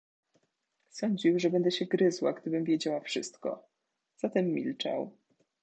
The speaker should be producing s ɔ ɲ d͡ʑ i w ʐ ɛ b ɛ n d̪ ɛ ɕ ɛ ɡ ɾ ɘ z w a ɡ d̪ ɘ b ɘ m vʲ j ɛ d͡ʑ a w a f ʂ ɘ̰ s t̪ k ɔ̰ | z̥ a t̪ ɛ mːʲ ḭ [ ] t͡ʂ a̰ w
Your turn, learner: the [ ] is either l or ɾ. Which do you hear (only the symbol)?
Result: l